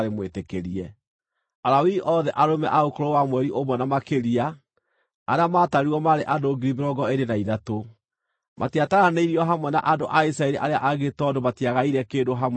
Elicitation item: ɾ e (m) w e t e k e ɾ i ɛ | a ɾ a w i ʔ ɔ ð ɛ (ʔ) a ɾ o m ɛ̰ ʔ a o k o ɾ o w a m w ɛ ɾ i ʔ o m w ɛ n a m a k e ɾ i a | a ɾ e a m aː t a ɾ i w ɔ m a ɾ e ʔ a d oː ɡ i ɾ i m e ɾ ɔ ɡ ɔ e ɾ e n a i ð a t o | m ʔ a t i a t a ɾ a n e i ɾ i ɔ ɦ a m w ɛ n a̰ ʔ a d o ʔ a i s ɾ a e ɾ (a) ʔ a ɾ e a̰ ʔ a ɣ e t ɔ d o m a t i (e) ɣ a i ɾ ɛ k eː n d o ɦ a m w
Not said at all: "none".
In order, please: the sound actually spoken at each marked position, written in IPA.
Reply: m, ʔ, i, a

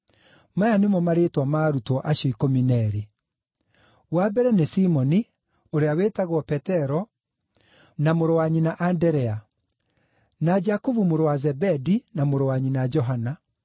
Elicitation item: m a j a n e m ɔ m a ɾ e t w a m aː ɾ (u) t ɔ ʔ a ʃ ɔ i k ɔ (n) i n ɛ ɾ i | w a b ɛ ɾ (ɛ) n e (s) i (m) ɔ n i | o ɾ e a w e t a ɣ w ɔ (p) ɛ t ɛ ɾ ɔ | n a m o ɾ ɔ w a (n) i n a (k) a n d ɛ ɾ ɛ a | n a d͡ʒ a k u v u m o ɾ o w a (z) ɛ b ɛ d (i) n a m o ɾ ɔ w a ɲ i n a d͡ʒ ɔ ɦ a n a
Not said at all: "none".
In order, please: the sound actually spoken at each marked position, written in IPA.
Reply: u, m, ɛ, s, m, p, ɲ, ʔ, z, i

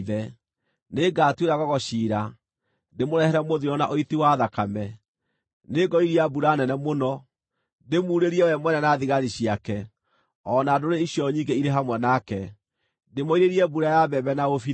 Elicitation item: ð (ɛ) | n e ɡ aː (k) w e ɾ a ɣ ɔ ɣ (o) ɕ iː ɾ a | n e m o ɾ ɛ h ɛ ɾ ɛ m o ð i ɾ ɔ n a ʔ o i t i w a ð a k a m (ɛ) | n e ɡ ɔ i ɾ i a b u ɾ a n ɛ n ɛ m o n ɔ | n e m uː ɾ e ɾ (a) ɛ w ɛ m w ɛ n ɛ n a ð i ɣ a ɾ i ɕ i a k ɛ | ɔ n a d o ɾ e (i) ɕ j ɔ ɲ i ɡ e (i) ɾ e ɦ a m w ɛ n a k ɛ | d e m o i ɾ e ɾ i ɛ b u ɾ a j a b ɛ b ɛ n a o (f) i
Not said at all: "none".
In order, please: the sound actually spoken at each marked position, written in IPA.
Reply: ɛ, t, ɔ, ɛ, i, i, i, f

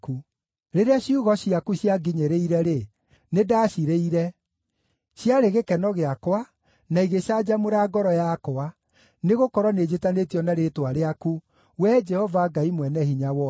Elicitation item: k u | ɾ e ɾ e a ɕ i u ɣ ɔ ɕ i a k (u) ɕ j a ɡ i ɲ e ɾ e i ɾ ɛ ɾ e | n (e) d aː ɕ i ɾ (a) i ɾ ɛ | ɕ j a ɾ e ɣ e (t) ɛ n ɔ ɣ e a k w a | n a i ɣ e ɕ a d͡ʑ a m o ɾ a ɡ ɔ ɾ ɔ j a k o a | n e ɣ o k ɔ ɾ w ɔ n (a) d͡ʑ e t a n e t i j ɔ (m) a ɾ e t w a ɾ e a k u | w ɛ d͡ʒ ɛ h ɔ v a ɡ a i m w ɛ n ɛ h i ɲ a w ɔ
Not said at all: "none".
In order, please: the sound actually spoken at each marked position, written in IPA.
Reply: u, e, e, k, e, n

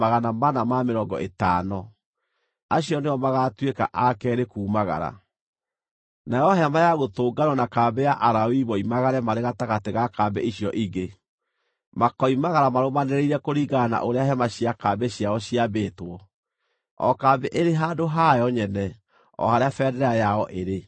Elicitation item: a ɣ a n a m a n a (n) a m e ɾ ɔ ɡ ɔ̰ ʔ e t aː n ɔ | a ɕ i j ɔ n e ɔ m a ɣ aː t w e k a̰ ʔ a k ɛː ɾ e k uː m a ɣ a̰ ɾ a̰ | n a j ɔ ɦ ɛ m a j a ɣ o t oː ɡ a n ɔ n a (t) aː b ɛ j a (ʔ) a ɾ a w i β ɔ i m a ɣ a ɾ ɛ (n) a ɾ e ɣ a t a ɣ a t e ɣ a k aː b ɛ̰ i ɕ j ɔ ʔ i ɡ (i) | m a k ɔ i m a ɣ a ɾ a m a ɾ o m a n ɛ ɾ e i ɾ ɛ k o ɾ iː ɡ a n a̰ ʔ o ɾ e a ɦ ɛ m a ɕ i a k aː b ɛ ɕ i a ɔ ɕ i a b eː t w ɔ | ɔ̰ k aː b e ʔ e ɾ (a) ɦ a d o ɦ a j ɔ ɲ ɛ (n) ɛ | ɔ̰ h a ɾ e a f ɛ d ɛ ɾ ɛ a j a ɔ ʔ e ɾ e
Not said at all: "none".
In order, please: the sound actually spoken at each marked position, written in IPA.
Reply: m, k, ʔ, m, e, e, n

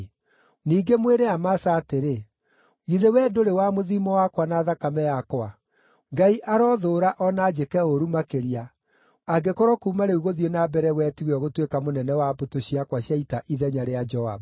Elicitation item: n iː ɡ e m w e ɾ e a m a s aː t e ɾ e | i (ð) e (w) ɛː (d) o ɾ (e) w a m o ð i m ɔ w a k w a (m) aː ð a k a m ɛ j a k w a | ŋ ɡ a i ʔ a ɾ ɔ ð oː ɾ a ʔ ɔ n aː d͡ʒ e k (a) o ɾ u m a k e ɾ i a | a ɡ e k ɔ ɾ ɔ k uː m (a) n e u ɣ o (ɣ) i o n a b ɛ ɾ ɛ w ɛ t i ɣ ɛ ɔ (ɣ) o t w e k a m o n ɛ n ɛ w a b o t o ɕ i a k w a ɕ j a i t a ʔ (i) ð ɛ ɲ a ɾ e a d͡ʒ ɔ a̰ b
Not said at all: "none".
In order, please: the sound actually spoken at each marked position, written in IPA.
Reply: ð, w, d, e, n, ɛ, a, ð, ɣ, i

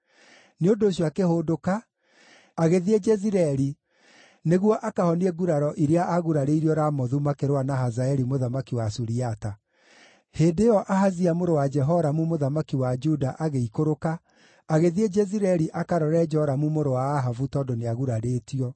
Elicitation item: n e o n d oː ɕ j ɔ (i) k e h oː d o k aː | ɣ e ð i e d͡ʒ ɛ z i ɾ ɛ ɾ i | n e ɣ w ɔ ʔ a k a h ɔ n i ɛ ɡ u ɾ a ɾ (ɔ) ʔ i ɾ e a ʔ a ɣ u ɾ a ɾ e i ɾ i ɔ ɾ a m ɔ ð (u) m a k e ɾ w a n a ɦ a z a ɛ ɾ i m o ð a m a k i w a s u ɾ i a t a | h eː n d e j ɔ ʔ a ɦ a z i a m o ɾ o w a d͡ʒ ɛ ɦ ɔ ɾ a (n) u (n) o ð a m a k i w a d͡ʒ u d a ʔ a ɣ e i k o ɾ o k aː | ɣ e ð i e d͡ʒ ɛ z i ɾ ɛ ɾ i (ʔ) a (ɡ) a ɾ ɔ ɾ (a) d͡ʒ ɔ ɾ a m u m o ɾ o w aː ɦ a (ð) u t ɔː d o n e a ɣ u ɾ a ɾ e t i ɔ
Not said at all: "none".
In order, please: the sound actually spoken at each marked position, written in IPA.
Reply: a, ɔ, u, m, m, ʔ, k, ɛ, v

